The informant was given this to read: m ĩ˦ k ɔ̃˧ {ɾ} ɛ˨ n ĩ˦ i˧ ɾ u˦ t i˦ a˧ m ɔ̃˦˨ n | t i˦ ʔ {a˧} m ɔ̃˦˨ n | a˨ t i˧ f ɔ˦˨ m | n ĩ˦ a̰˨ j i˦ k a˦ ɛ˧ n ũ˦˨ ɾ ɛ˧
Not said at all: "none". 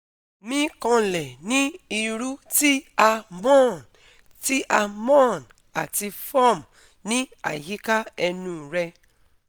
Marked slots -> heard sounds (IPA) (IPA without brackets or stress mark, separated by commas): l, a˧